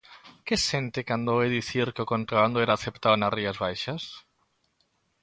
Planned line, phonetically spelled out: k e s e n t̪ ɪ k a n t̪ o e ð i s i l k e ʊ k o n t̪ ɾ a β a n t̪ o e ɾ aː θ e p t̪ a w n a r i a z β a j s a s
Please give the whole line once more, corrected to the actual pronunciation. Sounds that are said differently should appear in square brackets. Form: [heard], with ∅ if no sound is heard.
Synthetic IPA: k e s e n t̪ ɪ k a n [d̪] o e ð i [θ] i [ɾ] k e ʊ k o n t̪ ɾ a β a n [d̪] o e ɾ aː θ e p t̪ a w n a r i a z β a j [ʃ] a s